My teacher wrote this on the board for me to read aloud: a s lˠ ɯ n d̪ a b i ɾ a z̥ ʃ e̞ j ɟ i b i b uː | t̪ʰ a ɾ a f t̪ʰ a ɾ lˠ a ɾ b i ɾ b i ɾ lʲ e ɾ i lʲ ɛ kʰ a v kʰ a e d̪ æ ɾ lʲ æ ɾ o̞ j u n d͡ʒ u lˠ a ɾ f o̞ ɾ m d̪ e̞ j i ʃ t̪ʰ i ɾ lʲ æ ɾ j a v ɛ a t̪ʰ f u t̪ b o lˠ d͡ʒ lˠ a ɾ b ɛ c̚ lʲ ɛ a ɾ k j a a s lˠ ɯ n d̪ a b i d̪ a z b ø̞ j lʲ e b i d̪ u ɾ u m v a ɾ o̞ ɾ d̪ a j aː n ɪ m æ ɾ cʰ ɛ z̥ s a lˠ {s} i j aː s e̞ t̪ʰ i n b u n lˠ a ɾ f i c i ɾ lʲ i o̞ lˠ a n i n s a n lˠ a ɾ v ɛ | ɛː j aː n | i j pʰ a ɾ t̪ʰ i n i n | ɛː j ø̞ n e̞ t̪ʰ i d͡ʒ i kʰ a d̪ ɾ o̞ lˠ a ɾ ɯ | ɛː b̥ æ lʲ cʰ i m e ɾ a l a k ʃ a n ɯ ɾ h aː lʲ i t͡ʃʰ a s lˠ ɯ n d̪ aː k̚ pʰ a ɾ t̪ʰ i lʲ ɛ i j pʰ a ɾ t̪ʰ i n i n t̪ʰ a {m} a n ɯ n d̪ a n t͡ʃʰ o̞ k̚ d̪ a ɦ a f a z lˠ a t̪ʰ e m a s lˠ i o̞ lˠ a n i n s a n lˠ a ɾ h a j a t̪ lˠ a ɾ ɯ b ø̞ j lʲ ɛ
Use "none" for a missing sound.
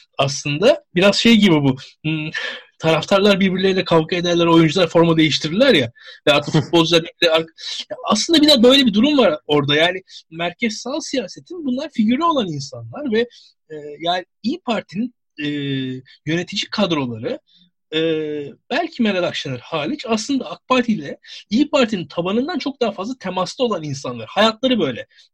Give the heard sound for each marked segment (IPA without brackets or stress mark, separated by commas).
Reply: s, b